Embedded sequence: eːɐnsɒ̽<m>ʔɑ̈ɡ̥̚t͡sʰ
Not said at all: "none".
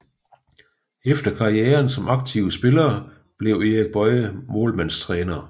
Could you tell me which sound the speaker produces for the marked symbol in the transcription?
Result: m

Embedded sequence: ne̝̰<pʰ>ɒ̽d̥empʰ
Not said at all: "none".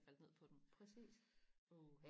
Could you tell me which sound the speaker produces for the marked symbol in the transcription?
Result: pʰ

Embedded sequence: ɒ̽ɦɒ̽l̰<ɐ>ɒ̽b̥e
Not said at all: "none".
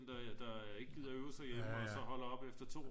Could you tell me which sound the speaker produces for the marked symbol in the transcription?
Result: ɐ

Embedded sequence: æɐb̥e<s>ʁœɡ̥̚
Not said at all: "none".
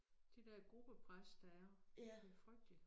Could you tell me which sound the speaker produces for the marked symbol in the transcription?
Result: f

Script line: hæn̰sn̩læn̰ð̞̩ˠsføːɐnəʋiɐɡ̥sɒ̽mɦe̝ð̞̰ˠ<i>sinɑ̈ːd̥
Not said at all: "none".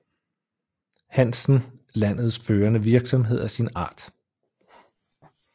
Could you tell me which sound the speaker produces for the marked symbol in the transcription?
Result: æ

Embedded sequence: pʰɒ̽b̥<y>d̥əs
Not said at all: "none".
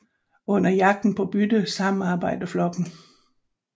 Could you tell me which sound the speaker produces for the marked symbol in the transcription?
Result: y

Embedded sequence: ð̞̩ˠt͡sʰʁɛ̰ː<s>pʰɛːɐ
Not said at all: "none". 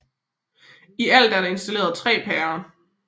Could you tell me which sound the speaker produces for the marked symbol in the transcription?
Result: none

